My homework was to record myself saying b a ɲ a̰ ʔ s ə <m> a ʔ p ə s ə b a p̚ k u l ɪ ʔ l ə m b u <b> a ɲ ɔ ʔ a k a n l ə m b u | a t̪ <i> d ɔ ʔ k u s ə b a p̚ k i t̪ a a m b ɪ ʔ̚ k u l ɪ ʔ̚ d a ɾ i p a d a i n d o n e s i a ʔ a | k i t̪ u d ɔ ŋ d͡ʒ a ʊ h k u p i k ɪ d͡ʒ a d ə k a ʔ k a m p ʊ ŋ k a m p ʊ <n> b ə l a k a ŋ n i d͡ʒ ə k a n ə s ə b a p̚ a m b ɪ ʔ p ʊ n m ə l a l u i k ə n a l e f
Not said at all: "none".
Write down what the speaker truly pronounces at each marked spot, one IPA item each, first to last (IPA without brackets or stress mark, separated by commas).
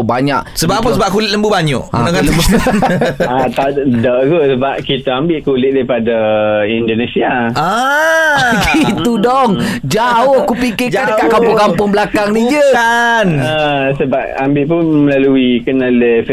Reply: b, b, a, ŋ